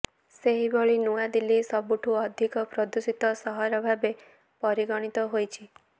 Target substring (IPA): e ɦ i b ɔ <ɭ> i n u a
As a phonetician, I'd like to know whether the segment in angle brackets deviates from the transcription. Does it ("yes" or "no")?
no